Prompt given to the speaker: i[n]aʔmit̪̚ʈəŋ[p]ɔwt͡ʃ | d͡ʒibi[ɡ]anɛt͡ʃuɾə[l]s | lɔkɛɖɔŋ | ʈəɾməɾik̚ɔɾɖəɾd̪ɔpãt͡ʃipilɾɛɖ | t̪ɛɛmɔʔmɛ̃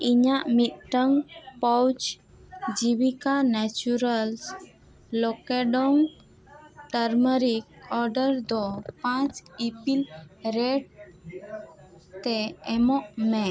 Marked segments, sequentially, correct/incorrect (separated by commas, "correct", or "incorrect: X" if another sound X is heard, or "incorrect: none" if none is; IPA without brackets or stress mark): incorrect: ɲ, correct, incorrect: k, correct